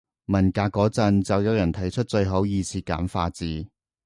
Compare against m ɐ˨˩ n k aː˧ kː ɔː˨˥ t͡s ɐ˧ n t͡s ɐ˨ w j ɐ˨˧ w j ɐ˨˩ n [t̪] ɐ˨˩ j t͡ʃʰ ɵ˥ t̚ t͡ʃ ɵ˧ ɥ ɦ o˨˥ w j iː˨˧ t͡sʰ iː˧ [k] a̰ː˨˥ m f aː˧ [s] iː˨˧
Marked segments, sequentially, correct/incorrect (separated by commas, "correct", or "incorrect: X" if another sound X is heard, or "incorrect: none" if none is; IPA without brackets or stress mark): incorrect: t̪ʰ, correct, incorrect: t͡s